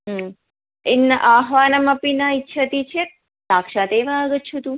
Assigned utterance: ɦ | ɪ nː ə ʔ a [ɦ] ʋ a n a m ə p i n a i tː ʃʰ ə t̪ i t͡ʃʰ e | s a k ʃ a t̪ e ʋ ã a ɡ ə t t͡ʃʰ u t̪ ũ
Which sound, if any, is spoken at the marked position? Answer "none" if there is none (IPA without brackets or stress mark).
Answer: ɦ